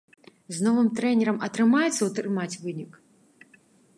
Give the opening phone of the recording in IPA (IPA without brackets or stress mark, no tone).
z